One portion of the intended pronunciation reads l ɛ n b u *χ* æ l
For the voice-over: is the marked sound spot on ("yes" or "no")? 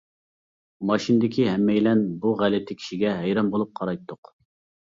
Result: no